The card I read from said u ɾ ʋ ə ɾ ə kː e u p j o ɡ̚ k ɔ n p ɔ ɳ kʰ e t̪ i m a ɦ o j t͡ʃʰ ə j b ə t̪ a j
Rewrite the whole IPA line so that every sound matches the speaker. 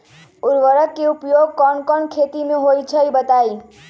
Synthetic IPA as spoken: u ɾ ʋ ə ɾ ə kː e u p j o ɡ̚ k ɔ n k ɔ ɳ kʰ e t̪ i m e ɦ o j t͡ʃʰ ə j b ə t̪ a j